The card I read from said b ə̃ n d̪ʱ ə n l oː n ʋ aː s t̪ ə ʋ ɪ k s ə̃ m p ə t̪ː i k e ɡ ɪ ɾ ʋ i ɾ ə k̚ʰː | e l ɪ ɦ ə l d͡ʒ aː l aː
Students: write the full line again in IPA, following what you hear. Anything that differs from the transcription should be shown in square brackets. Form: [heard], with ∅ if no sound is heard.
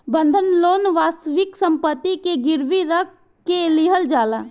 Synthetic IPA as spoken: b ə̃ n d̪ʱ ə n l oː n ʋ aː s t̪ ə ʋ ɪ k s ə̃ m p ə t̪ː i k e ɡ ɪ ɾ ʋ i ɾ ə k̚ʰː | e l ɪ ɦ ə l d͡ʒ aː l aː